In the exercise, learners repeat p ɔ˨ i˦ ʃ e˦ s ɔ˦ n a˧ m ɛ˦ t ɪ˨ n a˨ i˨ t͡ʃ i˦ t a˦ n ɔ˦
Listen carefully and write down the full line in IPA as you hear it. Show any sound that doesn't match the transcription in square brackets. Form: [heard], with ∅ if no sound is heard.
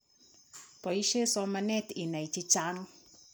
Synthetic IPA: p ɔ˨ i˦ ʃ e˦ s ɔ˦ [m] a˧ [n] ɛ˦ t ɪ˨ n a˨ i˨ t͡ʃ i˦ [t͡ʃ] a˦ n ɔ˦